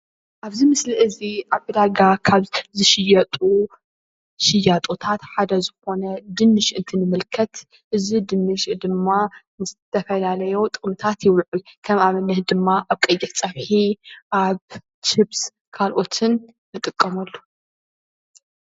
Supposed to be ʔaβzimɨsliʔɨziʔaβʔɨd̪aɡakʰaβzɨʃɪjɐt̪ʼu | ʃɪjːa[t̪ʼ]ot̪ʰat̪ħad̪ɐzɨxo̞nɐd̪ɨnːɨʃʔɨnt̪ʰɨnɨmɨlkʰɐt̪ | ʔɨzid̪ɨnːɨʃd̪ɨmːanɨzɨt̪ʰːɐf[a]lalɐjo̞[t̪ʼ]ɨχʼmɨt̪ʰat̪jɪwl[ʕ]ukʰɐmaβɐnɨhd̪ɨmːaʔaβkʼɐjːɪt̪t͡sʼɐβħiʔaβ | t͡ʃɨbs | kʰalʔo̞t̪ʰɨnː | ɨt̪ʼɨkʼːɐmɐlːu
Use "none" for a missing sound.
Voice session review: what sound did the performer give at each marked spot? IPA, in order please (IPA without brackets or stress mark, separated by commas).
t̪ʼ, ɐ, t̪ʼ, ʕ